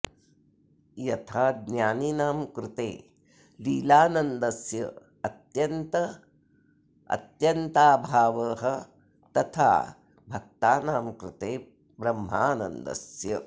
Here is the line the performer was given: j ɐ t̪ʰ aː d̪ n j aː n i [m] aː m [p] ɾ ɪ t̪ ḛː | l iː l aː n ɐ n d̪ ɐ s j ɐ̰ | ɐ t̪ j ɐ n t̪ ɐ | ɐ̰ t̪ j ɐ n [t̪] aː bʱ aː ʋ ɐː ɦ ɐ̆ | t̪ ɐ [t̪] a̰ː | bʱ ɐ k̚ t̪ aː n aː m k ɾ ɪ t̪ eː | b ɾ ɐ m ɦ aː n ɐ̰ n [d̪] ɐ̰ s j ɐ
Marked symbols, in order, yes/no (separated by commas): no, no, yes, no, yes